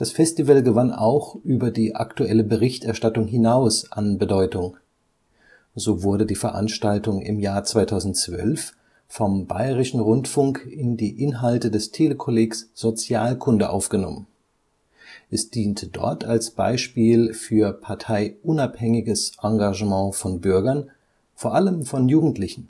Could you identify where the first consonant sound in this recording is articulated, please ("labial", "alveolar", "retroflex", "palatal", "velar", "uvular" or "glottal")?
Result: alveolar